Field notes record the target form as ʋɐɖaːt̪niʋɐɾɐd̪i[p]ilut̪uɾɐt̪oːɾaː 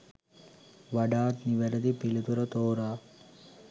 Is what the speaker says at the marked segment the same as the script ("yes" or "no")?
yes